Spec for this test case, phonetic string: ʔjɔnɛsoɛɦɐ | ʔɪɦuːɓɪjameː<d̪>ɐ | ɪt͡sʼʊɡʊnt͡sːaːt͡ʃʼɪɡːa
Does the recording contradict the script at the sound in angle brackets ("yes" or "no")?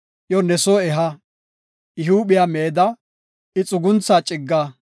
no